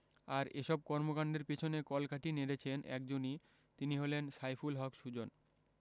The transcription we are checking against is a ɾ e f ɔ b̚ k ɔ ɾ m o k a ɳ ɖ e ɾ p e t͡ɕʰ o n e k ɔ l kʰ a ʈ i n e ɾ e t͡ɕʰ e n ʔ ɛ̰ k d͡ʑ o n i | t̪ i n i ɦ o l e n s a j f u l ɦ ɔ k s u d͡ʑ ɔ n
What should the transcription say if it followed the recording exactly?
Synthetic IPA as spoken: a ɾ e ʃ ɔ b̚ k ɔ ɾ m o k a ɳ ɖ e ɾ p e t͡ɕʰ o n e k ɔ l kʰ a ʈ i n e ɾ e t͡ɕʰ e n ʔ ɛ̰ k d͡ʑ o n i | t̪ i n i ɦ o l e n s a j f u l ɦ ɔ k ʃ u d͡ʑ o n